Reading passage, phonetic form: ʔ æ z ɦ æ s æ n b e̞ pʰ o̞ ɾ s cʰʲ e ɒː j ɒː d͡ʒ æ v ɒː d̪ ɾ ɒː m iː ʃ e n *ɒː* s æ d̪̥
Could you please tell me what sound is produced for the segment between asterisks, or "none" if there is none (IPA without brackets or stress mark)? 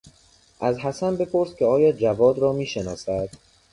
ɒː